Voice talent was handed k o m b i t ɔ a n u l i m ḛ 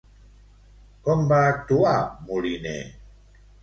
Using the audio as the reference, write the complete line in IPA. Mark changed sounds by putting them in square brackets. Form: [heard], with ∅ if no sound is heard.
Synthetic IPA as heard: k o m b [a] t [u] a [m] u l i [n] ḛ